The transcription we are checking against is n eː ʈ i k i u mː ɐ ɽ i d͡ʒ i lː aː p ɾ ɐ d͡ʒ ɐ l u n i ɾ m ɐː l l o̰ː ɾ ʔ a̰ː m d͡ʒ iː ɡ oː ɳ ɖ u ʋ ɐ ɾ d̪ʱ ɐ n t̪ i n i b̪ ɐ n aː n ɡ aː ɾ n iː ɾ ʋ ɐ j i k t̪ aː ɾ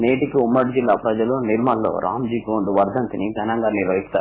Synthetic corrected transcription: n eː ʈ i k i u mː ɐ ɽ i d͡ʒ i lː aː p ɾ ɐ d͡ʒ ɐ l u n i ɾ m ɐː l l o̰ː ɾ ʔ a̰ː m d͡ʒ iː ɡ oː ɳ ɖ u ʋ ɐ ɾ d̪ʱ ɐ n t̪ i n i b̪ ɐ n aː ŋ ɡ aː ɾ n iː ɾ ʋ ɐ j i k t̪ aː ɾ